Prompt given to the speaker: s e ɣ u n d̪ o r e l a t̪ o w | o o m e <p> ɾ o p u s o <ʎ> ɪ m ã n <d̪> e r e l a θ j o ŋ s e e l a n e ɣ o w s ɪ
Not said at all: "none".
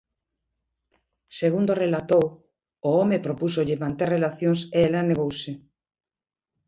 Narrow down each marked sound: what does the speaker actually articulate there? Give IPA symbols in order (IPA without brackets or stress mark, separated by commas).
p, ʎ, t̪